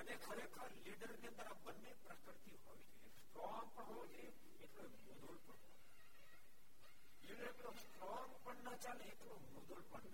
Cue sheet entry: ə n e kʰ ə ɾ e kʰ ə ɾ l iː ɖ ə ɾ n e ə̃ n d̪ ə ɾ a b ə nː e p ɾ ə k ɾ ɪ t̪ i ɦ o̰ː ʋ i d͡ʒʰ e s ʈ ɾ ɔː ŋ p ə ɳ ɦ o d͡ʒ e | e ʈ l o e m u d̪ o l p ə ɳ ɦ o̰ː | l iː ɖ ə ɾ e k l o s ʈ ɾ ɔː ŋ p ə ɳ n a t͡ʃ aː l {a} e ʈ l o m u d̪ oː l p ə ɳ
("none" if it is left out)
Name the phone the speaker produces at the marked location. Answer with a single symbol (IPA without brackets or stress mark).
e